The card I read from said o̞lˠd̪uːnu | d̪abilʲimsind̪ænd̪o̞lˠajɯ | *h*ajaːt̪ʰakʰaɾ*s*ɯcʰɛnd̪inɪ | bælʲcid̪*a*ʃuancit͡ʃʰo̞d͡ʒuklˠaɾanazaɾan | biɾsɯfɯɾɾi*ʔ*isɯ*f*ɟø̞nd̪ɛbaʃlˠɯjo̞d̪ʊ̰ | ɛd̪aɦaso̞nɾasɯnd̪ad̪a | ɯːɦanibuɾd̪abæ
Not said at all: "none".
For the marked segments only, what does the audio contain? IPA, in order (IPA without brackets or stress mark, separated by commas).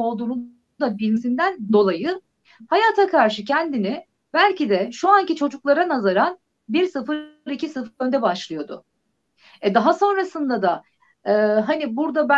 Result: h, ʃ, ɛ, c, f